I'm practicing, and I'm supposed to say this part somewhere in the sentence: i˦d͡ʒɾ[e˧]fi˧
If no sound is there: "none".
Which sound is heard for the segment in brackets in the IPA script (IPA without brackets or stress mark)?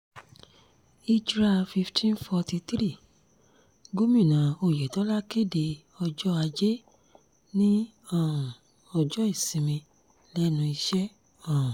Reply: a˧